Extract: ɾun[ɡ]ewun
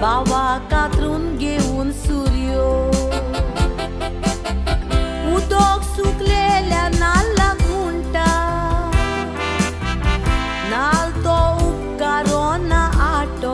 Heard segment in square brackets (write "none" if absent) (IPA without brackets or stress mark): ɡ